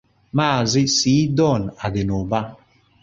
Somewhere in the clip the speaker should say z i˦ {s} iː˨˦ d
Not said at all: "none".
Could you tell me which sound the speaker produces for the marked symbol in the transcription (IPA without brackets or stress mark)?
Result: s